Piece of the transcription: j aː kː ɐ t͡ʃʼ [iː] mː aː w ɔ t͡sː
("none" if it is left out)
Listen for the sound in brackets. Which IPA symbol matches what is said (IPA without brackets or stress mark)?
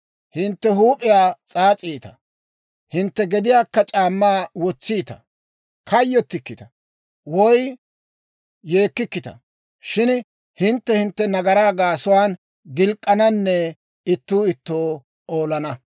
aː